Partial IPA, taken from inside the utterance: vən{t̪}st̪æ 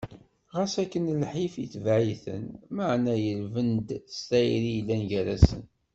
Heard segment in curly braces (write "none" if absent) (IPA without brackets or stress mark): d̪